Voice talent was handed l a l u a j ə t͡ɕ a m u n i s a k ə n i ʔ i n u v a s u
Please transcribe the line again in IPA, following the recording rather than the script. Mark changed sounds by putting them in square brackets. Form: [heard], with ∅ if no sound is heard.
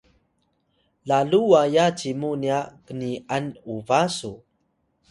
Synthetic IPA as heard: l a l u a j [a] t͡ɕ [i] m u n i [∅] a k ə n i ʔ [a] n u v a s u